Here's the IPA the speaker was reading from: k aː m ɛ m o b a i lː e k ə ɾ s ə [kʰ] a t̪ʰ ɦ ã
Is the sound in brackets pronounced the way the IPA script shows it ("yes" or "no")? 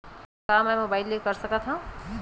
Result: no